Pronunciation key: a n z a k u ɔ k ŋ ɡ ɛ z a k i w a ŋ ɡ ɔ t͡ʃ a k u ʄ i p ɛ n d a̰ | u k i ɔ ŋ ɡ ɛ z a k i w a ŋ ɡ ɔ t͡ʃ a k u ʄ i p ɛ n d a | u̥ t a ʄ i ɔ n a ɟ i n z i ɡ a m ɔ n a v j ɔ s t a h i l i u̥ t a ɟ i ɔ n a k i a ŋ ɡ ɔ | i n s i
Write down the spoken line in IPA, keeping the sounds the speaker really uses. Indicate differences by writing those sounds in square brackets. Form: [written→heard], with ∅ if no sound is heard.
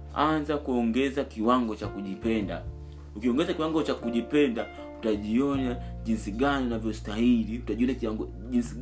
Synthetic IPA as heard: a n z a k u ɔ [k→∅] ŋ ɡ ɛ z a k i w a ŋ ɡ ɔ t͡ʃ a k u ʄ i p ɛ n d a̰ | u k i ɔ ŋ ɡ ɛ z a k i w a ŋ ɡ ɔ t͡ʃ a k u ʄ i p ɛ n d a | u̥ t a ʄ i ɔ n a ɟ i n [z→s] i ɡ a [m→n] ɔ n a v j ɔ s t a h i l i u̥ t a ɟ i ɔ n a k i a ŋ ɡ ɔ | i n s i